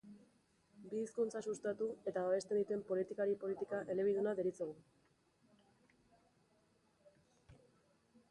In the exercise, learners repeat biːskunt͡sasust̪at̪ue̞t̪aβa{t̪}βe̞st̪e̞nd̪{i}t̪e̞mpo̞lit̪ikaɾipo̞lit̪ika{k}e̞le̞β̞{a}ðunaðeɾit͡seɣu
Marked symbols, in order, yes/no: no, yes, no, no

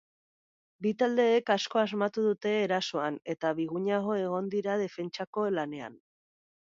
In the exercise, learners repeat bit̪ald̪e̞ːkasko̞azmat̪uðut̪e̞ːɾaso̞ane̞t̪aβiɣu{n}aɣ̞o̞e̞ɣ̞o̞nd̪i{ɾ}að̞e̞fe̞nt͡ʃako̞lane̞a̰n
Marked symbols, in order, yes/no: no, yes

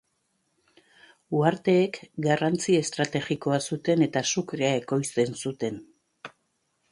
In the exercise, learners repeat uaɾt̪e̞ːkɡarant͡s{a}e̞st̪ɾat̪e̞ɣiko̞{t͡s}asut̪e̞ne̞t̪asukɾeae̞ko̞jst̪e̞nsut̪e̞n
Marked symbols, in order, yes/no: no, no

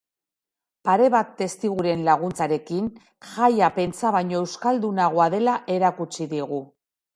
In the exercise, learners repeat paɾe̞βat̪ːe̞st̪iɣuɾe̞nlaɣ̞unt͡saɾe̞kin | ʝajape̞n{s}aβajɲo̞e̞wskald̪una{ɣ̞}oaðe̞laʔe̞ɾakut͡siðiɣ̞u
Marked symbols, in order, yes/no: no, yes

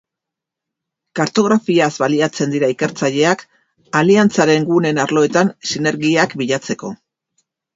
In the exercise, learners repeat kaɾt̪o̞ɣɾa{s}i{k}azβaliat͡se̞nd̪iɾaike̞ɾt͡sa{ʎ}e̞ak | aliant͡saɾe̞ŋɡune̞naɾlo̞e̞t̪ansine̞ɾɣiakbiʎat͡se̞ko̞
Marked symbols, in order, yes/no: no, no, yes

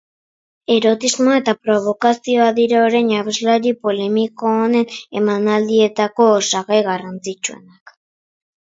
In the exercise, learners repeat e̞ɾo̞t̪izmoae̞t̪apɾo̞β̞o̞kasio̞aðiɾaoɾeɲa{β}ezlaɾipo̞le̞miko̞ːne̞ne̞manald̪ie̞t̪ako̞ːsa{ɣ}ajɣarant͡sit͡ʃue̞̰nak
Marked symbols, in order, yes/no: yes, yes

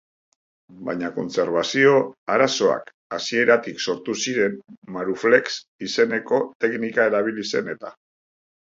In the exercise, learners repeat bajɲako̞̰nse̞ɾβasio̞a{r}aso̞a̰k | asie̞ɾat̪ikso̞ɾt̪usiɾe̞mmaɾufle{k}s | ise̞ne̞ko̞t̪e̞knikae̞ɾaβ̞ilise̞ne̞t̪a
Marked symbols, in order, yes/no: no, yes

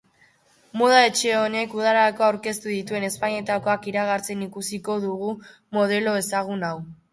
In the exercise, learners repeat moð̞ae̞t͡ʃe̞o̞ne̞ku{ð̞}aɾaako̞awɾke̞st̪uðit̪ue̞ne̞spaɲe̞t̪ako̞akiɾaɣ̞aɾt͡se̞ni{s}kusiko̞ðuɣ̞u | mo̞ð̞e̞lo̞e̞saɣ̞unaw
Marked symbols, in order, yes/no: yes, no

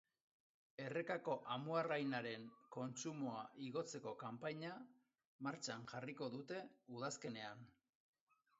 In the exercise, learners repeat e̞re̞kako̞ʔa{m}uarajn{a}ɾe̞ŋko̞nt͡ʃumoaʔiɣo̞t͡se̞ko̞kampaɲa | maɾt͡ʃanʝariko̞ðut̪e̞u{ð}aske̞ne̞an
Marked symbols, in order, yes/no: yes, yes, yes

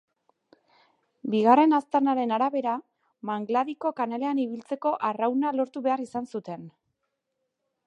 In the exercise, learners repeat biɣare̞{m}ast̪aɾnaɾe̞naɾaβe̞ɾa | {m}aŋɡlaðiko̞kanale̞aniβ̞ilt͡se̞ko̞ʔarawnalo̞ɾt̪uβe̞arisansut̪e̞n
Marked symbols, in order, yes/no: no, yes

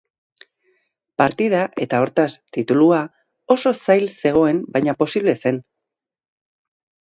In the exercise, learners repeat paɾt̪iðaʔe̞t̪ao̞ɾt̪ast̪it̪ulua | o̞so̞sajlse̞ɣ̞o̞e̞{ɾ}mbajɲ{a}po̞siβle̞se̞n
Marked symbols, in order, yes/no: no, yes

